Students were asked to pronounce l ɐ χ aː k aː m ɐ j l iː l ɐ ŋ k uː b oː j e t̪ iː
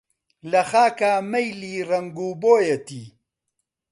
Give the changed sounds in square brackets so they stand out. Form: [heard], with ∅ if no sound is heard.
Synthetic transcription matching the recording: l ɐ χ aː k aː m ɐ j l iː [r] ɐ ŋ [ɡ] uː b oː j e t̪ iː